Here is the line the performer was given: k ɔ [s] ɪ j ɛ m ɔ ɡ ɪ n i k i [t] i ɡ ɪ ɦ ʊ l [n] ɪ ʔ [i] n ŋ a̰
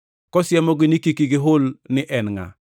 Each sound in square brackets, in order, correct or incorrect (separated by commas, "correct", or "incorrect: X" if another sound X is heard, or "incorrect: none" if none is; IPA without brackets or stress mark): correct, incorrect: k, correct, incorrect: ɛ